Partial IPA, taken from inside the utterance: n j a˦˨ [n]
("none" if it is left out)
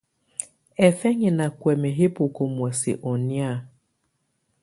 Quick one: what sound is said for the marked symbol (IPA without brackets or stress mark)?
none